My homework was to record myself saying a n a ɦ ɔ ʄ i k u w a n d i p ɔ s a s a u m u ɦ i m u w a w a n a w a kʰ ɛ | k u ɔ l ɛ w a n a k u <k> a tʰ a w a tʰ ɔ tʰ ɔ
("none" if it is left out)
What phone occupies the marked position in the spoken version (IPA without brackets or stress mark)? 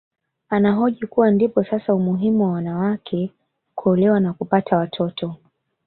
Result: p